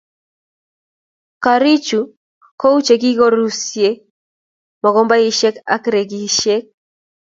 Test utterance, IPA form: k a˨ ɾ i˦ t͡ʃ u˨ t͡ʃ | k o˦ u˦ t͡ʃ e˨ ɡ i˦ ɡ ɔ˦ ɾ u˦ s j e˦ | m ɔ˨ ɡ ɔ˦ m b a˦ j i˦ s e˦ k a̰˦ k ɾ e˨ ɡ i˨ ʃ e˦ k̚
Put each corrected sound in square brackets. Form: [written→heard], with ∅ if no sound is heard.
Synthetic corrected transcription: k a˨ ɾ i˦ t͡ʃ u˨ [t͡ʃ→∅] | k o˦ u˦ t͡ʃ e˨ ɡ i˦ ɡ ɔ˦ ɾ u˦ s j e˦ | m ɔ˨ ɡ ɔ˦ m b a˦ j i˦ [s→ʃ] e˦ k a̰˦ k ɾ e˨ ɡ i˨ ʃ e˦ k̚